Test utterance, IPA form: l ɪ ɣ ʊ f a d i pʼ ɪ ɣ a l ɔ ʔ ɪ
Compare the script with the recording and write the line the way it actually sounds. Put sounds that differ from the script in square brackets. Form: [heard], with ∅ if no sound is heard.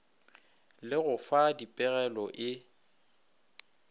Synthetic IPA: l ɪ ɣ ʊ f a d i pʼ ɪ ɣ [ɛ] l ɔ ʔ ɪ